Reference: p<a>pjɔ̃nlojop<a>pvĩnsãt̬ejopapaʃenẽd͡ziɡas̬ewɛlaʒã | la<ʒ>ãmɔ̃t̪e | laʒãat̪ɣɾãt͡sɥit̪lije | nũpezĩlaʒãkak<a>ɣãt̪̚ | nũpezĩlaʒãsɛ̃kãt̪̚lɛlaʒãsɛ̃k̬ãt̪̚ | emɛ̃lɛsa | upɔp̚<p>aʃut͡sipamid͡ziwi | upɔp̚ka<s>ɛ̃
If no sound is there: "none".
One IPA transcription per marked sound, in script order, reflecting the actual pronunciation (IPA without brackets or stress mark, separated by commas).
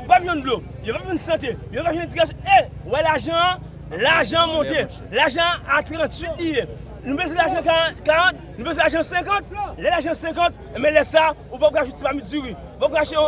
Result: a, a, ʒ, a, k, ʃ